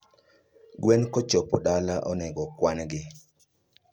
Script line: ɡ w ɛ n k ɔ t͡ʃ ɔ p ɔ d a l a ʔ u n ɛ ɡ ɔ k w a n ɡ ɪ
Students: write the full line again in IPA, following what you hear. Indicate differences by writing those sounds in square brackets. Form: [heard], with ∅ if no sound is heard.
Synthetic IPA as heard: ɡ w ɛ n k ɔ t͡ʃ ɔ p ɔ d a l a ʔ [ɔ] n ɛ ɡ ɔ k w a n ɡ ɪ